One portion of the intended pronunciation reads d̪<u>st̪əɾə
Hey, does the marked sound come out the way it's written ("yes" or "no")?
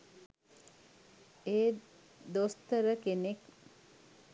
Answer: no